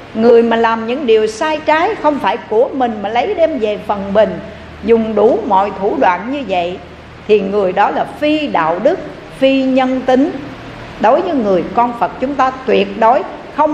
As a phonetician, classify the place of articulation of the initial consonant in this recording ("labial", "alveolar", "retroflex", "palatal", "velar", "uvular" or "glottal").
velar